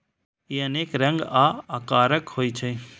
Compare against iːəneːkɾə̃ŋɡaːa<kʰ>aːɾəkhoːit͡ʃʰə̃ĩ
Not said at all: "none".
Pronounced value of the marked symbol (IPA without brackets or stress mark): k